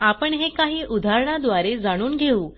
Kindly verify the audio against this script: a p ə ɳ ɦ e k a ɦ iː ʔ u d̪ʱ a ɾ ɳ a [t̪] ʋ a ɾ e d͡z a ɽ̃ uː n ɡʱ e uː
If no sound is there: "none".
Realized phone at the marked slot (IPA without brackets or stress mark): d̪